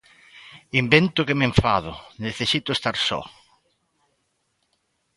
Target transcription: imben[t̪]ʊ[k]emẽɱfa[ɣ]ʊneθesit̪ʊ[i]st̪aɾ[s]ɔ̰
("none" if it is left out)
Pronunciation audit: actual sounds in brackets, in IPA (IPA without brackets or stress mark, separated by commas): t̪, k, ð, e, s